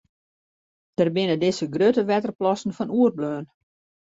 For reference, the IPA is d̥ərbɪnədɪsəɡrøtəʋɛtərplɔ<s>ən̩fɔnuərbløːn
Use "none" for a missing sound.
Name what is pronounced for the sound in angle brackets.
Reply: s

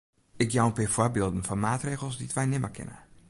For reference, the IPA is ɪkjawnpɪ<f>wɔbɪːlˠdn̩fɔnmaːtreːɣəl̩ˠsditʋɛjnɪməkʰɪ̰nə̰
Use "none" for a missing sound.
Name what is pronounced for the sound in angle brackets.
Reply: f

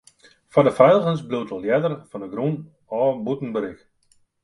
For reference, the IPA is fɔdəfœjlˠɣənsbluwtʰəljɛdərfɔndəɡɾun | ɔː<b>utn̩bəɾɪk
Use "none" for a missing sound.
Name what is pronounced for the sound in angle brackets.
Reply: b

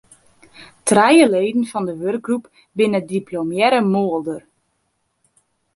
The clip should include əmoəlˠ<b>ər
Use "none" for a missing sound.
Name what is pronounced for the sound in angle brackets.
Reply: d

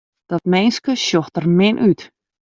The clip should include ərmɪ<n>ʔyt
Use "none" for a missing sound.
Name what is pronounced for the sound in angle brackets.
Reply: n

